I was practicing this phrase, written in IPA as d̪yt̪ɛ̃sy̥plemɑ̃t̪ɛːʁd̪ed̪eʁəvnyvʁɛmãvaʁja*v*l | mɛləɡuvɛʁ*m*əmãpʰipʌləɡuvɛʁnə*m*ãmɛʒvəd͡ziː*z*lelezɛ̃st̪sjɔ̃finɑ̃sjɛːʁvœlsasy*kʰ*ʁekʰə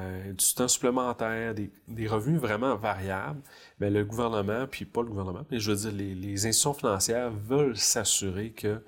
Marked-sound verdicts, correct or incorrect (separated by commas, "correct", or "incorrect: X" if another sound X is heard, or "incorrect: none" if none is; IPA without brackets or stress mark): incorrect: b, incorrect: n, correct, incorrect: ʁ, incorrect: none